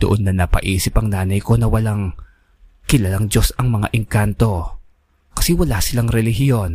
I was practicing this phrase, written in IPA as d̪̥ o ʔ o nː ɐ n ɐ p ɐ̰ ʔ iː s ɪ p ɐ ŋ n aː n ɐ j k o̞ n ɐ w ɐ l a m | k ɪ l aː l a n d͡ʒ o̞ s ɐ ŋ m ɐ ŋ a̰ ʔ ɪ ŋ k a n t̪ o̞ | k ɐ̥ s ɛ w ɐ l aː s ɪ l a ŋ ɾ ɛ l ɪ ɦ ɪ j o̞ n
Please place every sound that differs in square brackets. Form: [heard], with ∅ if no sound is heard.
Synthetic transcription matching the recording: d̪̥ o ʔ o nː ɐ n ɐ p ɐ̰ ʔ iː s ɪ p ɐ ŋ n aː n ɐ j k o̞ n ɐ w ɐ l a [ŋ] | k ɪ l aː l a [ŋ] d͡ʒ o̞ s ɐ ŋ m ɐ ŋ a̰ ʔ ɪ ŋ k a n t̪ o̞ | k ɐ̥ s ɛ w ɐ l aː s ɪ l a ŋ ɾ ɛ l ɪ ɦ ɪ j o̞ n